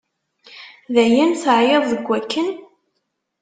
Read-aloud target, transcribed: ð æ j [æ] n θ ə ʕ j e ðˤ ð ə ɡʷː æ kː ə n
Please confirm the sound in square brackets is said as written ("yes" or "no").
yes